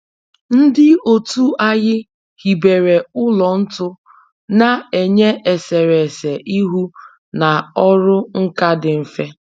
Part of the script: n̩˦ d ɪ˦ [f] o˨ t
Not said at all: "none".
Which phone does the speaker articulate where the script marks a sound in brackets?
none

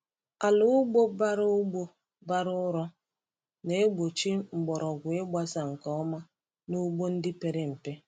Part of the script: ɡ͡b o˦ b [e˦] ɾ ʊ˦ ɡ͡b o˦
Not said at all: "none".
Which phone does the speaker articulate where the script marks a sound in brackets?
a˦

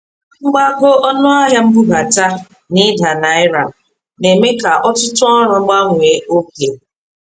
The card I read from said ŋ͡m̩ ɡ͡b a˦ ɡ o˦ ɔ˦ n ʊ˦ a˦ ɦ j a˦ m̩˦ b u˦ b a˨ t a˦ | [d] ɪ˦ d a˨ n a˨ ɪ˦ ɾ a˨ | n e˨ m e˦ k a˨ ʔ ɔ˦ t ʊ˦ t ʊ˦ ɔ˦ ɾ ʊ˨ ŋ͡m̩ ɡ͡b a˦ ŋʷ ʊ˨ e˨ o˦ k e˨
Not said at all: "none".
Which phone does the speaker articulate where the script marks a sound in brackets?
n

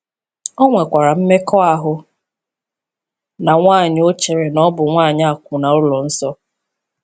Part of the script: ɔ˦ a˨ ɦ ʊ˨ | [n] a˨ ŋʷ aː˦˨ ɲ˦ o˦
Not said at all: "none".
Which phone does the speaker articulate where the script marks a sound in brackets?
n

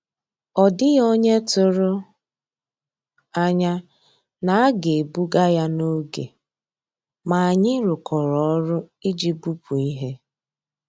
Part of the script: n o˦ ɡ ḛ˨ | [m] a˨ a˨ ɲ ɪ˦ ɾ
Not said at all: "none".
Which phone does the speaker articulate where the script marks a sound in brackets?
m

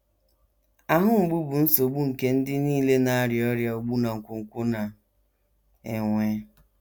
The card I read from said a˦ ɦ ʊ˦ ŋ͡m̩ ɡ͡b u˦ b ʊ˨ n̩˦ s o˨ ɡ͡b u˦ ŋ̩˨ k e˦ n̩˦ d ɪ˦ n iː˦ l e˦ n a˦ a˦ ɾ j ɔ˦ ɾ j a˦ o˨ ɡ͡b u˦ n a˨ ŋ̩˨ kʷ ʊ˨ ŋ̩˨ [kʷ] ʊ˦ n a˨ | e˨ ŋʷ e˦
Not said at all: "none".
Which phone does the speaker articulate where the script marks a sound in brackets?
kʷ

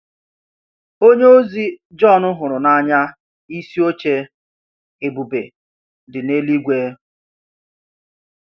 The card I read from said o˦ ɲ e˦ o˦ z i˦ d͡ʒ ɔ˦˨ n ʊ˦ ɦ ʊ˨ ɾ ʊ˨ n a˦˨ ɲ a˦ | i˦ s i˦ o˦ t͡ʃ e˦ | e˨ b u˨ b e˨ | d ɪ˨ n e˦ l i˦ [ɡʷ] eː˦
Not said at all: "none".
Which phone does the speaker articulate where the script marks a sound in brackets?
ɡʷ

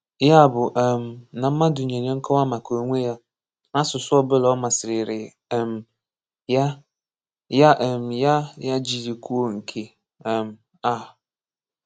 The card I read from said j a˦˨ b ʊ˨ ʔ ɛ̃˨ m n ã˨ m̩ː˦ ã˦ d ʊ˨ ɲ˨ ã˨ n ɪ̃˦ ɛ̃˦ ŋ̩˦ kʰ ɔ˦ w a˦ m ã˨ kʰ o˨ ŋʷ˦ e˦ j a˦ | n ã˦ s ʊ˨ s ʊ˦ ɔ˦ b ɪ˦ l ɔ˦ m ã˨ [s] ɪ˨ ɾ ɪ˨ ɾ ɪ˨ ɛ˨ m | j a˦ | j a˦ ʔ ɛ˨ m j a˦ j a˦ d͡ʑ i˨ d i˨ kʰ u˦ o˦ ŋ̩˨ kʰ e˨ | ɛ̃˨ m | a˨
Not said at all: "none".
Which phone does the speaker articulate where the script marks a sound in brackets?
s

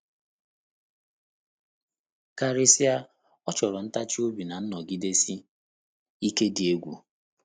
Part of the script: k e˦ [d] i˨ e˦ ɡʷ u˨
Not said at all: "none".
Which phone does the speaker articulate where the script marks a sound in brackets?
d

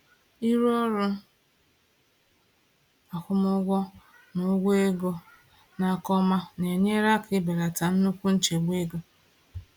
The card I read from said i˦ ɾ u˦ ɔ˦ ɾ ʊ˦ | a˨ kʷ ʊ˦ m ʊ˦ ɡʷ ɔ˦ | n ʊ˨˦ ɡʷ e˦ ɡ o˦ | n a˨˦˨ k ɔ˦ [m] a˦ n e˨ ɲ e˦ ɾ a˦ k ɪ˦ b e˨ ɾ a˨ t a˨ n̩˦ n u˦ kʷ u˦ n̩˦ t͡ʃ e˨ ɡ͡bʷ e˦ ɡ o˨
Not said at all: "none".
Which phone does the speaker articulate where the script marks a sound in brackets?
m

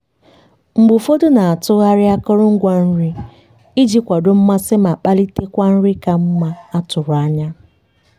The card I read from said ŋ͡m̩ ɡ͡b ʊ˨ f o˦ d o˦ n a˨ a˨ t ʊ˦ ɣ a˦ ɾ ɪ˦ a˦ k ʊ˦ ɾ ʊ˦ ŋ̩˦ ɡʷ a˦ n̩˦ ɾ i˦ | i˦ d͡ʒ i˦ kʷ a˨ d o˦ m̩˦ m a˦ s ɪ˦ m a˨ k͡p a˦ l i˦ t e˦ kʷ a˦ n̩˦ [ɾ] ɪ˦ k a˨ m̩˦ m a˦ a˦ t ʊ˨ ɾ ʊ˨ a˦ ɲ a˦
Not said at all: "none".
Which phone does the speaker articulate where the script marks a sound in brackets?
ɾ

